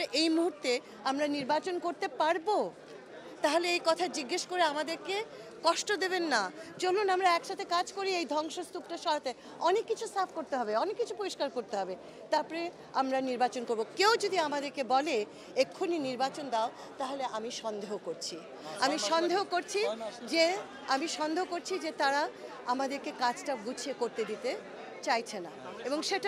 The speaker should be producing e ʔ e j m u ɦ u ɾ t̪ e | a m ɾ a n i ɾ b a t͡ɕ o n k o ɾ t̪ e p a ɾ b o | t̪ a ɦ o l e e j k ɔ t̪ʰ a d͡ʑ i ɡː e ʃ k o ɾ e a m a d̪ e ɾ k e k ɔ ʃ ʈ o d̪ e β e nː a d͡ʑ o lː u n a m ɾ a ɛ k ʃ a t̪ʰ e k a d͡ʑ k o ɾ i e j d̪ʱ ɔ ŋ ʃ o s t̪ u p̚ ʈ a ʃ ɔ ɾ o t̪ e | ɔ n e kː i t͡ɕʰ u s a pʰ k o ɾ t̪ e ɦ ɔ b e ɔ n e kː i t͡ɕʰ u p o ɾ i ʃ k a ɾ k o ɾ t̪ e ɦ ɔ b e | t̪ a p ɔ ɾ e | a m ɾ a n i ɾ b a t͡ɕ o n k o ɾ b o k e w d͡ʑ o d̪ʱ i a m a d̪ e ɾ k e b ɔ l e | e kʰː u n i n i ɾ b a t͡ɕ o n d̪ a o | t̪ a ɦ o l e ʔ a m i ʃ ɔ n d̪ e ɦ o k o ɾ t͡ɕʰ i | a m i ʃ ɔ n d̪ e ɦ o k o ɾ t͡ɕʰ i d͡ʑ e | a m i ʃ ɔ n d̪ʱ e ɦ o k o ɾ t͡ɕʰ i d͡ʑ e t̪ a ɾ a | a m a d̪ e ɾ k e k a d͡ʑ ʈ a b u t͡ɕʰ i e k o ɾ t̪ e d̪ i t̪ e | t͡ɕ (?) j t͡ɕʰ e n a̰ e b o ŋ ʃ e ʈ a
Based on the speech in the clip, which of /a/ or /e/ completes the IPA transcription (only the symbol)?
a